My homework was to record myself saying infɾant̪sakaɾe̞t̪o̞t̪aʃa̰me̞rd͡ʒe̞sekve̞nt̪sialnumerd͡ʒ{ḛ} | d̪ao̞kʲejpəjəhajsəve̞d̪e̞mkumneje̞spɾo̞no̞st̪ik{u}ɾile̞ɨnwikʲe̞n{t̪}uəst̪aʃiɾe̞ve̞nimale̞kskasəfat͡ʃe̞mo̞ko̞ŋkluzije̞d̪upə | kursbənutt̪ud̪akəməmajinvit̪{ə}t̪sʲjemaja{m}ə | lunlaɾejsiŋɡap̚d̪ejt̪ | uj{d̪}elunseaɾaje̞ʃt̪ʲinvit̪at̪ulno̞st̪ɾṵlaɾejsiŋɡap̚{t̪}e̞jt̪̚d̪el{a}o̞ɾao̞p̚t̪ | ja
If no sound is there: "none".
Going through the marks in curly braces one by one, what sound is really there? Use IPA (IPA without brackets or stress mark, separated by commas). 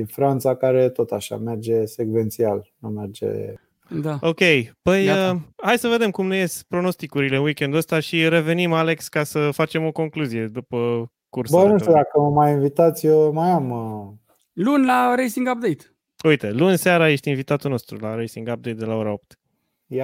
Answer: ḛ, u, d̪, a, m, t̪, d̪, a